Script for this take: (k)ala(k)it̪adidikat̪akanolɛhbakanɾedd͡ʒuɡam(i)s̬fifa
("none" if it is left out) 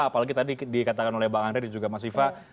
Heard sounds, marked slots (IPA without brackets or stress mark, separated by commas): p, ɡ, a